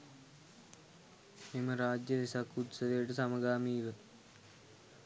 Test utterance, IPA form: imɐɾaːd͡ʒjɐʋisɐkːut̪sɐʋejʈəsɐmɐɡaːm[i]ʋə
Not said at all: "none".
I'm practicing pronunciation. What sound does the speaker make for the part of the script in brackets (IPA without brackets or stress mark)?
iː